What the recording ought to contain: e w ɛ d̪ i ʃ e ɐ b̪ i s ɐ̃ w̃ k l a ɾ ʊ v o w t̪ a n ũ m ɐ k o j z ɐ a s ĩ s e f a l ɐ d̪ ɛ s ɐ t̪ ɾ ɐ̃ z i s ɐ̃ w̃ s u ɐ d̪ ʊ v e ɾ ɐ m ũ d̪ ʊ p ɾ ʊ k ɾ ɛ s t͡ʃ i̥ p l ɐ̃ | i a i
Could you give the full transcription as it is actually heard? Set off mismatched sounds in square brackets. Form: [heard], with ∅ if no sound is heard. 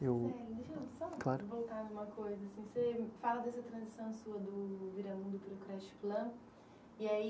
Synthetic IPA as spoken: e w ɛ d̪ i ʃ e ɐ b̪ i s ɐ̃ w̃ k l a ɾ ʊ v o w t̪ a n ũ m ɐ k o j z ɐ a s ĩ s e f a l ɐ d̪ ɛ s ɐ t̪ ɾ ɐ̃ z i s ɐ̃ w̃ s u ɐ d̪ ʊ v [i] ɾ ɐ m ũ d̪ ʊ p ɾ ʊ k ɾ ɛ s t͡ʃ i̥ p l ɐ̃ | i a i